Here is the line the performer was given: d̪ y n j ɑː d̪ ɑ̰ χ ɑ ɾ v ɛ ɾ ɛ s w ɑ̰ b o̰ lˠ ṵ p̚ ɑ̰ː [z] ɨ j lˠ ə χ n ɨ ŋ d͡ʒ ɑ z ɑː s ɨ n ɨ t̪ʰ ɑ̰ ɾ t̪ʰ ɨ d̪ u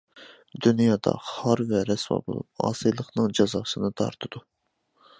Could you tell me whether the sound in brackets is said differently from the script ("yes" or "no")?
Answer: yes